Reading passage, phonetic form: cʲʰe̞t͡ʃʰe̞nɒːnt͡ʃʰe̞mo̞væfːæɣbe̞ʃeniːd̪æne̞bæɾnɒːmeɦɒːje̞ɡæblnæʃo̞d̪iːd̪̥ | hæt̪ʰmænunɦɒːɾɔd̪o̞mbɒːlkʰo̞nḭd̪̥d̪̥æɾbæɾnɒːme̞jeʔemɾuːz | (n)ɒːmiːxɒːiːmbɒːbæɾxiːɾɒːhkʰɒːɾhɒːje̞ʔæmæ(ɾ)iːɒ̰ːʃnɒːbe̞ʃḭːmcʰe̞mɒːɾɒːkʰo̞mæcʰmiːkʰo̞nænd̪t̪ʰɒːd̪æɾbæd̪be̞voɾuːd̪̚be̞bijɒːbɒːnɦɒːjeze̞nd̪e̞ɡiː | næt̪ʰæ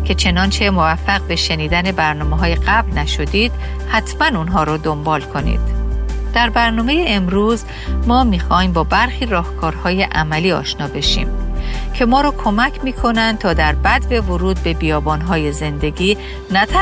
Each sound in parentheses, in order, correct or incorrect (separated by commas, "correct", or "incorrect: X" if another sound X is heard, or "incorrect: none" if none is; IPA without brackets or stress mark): incorrect: m, incorrect: l